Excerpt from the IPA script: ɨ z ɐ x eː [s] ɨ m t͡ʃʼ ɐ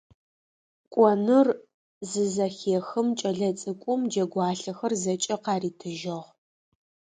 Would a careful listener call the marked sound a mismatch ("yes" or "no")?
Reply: yes